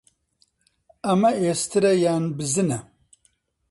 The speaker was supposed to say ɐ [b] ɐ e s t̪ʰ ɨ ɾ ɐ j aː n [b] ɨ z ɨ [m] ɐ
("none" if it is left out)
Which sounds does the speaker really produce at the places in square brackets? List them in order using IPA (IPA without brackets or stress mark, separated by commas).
m, b, n